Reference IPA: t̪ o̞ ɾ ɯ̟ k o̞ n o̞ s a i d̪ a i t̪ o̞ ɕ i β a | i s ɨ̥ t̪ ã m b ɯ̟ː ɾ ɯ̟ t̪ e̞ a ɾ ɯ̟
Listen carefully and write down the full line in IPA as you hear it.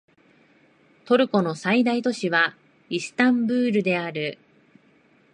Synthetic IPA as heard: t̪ o̞ ɾ ɯ̟ k o̞ n o̞ s a i d̪ a i t̪ o̞ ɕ i β a | i s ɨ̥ t̪ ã m b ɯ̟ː ɾ ɯ̟ d̪ e̞ a ɾ ɯ̟